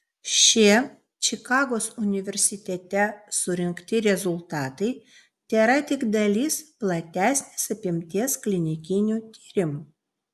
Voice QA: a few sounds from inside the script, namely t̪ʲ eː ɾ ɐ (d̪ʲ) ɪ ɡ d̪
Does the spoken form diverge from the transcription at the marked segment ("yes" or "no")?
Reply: yes